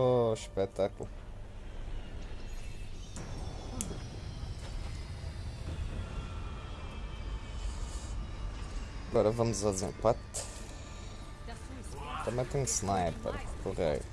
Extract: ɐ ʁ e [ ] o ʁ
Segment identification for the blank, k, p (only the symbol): k